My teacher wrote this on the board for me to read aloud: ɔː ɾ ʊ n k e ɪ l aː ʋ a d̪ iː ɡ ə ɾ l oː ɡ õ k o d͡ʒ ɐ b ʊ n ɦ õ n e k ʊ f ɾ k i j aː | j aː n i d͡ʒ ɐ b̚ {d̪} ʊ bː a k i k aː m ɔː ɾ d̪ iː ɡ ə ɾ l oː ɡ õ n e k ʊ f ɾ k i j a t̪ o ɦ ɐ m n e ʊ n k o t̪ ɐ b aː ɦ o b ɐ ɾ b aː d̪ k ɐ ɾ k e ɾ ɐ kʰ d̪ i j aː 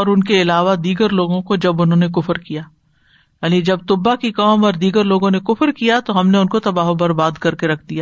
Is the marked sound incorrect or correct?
incorrect